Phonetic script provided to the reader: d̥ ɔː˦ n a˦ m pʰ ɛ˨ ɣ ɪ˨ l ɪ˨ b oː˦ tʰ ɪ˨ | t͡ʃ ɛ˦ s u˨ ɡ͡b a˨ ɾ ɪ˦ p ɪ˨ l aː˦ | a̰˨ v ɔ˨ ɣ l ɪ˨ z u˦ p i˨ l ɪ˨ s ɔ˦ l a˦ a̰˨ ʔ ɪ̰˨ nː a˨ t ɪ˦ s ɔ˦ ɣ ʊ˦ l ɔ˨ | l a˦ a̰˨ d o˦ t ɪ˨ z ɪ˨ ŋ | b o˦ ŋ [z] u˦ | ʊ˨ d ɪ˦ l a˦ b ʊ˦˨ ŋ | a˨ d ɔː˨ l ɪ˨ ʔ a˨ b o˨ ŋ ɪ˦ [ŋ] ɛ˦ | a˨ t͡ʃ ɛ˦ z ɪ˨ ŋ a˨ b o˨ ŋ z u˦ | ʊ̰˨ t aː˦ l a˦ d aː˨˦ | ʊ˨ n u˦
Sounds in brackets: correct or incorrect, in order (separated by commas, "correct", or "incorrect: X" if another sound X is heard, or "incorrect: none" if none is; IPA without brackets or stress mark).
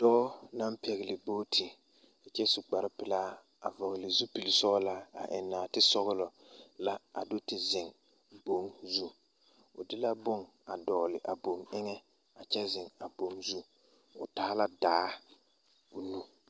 correct, correct